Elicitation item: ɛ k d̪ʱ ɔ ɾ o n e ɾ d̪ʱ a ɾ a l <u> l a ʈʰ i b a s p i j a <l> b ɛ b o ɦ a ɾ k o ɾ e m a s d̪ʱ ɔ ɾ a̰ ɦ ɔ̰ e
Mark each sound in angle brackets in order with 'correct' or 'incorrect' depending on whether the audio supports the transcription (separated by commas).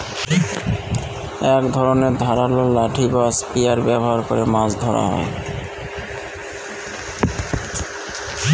incorrect, incorrect